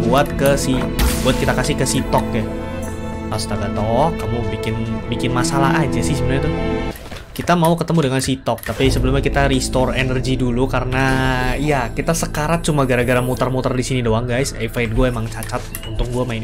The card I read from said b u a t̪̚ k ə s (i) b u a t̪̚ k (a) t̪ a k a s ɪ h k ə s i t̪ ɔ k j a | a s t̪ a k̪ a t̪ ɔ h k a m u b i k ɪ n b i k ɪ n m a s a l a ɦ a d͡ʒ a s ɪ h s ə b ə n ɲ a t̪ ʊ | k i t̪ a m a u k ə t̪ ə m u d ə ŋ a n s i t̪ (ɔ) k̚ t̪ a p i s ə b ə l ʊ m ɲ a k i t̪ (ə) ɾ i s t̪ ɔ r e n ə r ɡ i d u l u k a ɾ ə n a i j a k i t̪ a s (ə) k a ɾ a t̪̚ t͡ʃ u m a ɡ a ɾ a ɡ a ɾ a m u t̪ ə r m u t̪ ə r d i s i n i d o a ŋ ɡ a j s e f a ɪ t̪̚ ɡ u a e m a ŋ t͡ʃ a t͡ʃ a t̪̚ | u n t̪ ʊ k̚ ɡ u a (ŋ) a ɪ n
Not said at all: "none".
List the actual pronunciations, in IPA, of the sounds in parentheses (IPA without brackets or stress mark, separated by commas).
i, i, ɔ, a, ə, m